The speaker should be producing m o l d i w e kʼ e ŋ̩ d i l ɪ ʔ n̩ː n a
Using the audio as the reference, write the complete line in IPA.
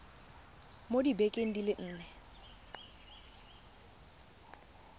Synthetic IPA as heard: m o d i b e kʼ e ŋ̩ d i l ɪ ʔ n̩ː n ɛ